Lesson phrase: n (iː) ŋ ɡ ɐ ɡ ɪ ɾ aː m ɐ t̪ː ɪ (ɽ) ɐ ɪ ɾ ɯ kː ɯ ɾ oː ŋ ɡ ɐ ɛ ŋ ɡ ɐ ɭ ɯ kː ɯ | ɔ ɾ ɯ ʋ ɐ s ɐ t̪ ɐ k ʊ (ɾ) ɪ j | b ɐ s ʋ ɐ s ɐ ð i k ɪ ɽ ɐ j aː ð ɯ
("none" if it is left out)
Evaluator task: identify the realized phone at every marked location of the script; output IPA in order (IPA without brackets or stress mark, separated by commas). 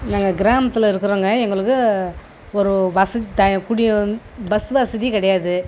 aː, l, ɽ